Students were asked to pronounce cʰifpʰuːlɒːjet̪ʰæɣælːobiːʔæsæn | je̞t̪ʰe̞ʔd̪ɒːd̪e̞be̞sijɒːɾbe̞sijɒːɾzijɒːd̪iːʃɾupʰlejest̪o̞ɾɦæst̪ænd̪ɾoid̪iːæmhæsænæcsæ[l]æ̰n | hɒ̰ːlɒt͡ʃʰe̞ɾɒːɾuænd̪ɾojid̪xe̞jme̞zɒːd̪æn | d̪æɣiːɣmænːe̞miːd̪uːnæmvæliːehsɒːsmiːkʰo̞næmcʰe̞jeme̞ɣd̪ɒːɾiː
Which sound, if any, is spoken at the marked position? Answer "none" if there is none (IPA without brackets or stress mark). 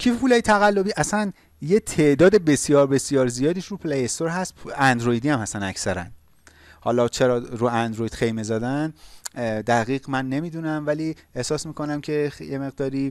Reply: ɾ